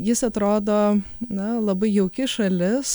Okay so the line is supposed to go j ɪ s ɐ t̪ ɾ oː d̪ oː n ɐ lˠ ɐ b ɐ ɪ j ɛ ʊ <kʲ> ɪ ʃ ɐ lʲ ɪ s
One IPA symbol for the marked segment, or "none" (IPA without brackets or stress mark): kʲ